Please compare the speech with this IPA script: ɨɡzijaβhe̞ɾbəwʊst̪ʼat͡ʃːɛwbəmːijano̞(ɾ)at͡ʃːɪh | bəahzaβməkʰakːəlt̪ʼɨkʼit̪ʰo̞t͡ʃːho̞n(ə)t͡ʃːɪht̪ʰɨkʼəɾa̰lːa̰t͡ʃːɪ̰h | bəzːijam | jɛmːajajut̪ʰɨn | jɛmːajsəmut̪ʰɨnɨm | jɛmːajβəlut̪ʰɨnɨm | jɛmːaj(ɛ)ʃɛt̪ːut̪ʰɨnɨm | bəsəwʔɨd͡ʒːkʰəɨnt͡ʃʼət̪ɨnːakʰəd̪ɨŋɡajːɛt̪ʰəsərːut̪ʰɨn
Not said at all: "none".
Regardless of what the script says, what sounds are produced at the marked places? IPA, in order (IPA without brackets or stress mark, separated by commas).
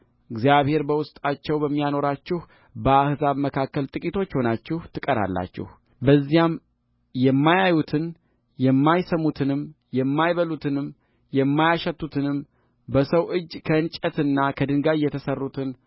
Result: ɾ, a, a